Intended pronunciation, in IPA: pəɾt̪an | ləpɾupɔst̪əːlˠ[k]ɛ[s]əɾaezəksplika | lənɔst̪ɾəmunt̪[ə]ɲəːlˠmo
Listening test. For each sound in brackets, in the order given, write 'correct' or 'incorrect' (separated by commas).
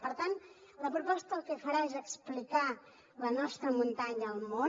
correct, incorrect, incorrect